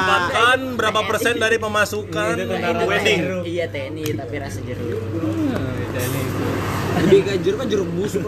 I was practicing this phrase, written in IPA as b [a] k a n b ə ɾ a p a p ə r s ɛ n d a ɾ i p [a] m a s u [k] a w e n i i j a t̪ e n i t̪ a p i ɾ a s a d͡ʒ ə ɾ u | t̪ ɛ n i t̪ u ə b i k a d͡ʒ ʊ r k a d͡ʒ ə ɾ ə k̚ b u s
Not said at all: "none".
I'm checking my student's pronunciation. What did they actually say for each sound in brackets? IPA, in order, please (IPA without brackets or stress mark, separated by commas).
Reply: a, ə, k